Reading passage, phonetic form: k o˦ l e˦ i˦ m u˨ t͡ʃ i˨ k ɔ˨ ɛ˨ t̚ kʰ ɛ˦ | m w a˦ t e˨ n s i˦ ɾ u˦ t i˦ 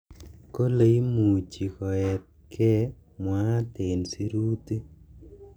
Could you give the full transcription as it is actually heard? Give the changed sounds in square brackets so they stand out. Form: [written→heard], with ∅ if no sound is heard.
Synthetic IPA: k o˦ l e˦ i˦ m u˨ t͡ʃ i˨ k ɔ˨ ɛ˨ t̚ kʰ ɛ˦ | m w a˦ t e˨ n s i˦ ɾ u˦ t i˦